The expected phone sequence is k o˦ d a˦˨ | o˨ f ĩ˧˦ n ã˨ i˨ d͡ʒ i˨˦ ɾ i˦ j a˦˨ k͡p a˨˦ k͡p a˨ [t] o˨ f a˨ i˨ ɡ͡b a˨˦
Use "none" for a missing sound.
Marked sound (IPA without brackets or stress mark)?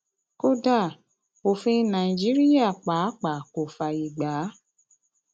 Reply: k